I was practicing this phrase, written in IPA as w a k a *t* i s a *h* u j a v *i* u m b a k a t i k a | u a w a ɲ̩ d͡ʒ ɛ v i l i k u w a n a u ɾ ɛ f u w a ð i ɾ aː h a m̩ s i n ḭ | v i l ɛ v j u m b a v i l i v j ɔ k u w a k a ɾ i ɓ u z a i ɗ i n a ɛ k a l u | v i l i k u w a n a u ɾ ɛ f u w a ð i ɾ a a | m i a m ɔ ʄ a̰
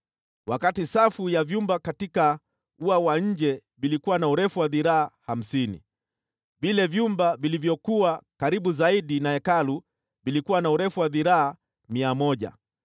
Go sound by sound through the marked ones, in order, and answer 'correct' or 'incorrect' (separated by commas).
correct, incorrect, incorrect